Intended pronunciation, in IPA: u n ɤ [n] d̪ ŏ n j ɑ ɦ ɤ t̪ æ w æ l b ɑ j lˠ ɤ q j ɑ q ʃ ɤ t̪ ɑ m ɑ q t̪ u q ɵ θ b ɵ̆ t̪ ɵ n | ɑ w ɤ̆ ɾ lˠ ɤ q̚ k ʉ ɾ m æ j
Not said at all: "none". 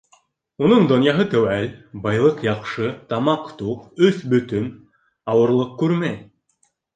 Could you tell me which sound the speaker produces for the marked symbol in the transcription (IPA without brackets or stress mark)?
ɴ